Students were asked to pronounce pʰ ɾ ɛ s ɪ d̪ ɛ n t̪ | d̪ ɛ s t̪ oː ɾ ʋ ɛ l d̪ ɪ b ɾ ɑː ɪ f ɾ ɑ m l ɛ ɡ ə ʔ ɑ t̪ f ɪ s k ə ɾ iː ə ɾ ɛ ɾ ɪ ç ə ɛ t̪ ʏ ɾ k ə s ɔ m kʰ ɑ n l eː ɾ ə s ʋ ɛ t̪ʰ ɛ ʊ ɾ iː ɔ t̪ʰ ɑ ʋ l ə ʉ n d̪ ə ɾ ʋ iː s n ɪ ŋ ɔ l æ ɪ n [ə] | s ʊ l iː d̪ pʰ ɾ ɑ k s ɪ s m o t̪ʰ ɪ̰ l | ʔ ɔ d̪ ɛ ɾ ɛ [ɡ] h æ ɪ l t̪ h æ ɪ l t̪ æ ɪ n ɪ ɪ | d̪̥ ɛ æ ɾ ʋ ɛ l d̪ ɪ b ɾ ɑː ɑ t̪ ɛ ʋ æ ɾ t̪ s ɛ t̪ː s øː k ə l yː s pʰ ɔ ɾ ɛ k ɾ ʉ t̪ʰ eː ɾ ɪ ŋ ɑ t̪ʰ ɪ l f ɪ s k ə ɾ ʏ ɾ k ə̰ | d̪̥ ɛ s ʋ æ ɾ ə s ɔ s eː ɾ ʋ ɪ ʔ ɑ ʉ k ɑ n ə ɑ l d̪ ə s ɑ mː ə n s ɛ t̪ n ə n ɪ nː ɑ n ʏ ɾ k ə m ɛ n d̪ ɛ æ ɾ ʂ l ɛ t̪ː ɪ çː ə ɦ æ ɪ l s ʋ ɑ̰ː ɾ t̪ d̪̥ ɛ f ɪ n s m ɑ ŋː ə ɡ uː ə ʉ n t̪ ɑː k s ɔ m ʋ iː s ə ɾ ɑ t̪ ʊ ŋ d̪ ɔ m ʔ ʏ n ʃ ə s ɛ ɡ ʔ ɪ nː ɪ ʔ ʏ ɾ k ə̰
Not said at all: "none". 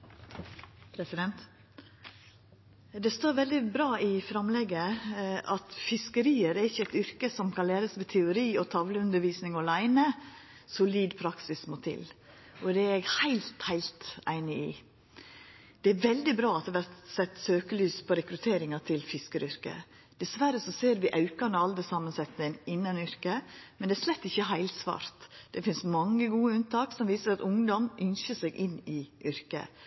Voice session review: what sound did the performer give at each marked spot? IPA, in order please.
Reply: ə, ɡ

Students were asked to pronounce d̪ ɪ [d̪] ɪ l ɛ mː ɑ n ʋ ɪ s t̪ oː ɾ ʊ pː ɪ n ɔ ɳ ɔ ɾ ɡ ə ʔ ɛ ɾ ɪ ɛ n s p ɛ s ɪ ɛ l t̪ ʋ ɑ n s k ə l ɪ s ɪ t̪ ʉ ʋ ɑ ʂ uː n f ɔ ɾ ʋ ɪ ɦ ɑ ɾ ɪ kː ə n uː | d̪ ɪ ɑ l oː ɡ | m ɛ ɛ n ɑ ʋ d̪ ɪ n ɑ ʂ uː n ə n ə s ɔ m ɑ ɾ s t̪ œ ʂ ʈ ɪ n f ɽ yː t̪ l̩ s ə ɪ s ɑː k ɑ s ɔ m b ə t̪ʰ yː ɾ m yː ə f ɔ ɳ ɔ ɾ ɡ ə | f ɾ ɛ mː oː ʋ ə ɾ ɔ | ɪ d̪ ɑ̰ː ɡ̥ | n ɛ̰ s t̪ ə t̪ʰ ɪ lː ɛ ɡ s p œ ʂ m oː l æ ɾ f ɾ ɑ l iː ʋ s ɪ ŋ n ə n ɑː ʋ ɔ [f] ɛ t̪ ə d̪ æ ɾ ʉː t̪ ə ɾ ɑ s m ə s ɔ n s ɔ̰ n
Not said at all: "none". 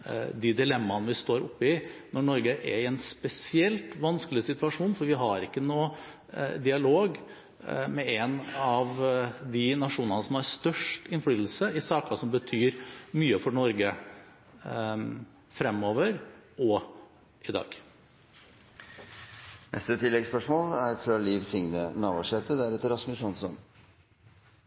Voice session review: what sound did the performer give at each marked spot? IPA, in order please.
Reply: d̪, ʂ

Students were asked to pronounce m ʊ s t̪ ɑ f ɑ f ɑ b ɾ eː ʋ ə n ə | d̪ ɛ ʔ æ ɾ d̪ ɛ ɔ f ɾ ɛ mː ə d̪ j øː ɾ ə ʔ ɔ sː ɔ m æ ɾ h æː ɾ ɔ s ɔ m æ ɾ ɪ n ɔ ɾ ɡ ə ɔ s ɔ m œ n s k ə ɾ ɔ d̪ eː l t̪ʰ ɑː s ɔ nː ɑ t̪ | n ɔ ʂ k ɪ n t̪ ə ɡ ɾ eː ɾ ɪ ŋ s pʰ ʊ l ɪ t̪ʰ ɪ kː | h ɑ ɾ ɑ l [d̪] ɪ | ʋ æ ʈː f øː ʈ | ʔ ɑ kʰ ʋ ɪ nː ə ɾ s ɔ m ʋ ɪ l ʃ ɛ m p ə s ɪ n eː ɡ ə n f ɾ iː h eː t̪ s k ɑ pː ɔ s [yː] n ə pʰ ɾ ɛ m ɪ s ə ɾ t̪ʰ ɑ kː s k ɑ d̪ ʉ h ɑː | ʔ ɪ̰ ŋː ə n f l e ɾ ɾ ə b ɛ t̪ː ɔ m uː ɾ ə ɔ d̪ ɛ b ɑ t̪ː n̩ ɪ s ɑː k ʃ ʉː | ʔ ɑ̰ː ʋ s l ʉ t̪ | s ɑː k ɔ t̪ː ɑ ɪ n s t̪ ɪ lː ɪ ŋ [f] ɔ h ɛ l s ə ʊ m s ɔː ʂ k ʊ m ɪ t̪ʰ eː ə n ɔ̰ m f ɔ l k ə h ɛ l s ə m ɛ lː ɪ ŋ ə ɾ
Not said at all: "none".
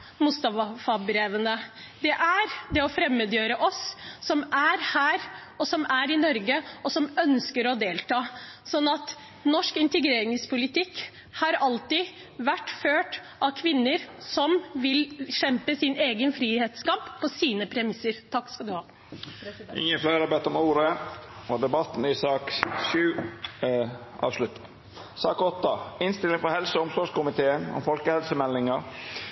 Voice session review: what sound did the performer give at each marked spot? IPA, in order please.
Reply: t̪, iː, f

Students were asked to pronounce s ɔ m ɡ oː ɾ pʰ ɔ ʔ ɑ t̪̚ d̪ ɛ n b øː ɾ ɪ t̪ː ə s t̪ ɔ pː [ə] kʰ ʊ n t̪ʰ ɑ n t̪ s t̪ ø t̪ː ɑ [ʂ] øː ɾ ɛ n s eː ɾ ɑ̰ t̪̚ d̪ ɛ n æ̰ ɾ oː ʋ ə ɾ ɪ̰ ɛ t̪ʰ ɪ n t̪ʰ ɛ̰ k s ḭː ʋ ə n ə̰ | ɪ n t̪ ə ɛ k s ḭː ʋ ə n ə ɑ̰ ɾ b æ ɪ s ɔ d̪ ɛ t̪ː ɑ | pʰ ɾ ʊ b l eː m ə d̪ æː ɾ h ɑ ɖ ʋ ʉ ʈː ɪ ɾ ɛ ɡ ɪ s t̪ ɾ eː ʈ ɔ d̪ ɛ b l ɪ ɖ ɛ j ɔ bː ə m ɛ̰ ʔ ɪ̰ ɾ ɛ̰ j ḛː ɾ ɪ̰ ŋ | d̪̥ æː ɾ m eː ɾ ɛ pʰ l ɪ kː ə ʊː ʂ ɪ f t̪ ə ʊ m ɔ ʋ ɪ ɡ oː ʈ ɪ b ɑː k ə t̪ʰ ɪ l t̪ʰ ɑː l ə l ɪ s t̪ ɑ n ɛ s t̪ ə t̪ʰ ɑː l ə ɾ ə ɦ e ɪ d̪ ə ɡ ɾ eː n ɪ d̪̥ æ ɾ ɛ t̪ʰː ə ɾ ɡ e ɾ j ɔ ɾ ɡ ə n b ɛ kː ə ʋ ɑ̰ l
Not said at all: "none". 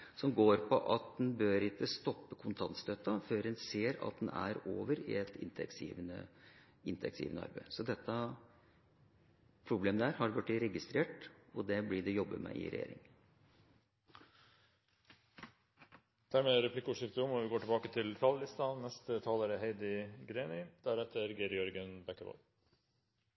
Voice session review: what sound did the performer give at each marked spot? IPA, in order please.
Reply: ə, f

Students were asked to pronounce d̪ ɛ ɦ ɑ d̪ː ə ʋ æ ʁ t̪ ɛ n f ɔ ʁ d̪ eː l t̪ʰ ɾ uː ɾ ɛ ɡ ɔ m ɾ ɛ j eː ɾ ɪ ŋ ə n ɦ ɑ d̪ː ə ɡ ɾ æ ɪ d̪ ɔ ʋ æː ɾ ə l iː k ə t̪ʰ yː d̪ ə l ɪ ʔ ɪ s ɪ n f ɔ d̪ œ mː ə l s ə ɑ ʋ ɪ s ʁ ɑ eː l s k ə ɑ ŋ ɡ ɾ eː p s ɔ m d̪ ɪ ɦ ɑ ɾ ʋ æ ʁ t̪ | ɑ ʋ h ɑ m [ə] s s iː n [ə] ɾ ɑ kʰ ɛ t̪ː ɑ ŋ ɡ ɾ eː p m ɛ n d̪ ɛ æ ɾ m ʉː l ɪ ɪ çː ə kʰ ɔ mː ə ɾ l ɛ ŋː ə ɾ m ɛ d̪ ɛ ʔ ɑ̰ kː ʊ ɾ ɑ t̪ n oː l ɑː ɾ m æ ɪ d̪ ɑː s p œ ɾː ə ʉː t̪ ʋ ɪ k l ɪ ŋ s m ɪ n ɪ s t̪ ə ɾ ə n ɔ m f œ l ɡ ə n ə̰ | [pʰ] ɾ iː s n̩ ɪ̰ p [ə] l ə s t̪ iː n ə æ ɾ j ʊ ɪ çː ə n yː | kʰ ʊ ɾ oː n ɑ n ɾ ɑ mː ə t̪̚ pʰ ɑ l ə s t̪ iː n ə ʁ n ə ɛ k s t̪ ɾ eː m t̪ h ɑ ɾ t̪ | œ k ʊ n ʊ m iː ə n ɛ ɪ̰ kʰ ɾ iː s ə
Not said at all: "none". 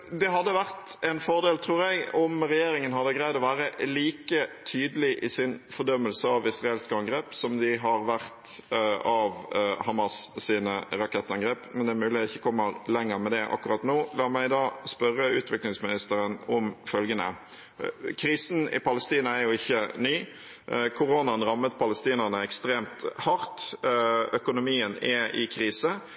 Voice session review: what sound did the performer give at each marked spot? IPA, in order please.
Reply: ɑ, ə, kʰ, ɑ

